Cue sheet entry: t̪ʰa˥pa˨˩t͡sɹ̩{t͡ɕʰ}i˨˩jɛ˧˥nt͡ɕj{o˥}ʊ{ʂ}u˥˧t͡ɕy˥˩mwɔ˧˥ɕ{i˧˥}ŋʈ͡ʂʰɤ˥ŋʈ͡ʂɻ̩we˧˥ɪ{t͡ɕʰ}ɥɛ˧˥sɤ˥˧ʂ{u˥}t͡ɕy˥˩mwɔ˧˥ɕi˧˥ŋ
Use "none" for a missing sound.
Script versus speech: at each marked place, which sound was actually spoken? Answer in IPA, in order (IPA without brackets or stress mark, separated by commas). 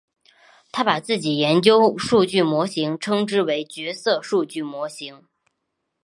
t͡ɕ, o˥, ʂ, i˧˥, t͡ɕ, u˥˧